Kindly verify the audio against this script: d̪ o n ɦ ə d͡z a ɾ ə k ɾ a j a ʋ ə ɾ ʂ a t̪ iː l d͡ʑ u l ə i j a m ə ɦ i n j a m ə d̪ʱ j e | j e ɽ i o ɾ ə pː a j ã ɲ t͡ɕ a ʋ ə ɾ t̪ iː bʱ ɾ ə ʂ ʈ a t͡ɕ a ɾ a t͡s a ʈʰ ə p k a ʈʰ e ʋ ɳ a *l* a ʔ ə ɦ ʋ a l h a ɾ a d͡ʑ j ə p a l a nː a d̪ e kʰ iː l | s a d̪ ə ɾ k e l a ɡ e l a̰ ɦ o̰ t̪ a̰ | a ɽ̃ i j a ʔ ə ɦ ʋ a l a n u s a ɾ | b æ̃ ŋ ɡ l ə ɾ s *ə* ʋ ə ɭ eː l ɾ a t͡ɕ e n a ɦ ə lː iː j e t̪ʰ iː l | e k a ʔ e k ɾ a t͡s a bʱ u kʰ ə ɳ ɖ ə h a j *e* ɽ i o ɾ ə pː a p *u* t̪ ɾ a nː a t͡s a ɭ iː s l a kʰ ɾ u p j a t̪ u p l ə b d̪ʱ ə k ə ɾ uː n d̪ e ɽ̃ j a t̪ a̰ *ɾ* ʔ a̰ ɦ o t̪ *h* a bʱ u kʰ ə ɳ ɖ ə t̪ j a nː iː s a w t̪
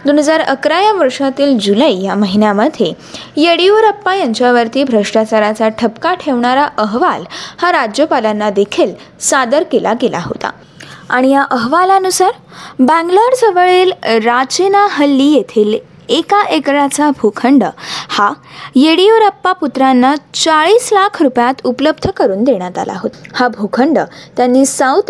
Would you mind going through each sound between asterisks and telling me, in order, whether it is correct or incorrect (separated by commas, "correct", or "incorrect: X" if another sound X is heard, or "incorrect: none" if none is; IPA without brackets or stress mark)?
incorrect: ɾ, correct, correct, correct, incorrect: l, correct